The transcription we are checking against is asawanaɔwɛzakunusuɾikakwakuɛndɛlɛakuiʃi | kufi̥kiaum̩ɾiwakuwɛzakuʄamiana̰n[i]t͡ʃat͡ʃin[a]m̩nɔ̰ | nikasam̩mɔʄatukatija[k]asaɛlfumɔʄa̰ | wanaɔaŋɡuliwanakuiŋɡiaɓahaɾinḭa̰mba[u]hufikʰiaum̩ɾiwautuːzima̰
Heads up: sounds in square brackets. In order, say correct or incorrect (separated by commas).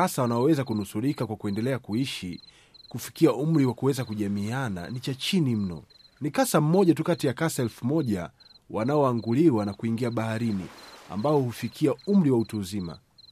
correct, incorrect, correct, incorrect